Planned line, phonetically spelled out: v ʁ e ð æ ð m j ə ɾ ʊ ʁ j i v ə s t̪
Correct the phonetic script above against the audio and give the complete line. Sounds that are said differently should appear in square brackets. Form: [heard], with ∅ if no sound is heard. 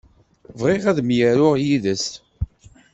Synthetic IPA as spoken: v ʁ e [ʁ] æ ð m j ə ɾ ʊ ʁ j i [ð] ə s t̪